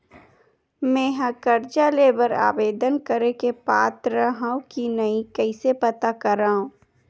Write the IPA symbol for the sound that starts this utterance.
m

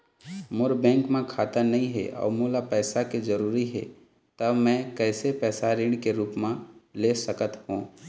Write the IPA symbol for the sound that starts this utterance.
m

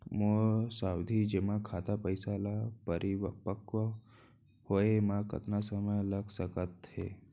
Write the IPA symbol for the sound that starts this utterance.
m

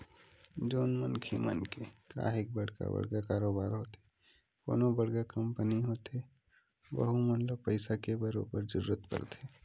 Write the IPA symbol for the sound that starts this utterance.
d͡ʒ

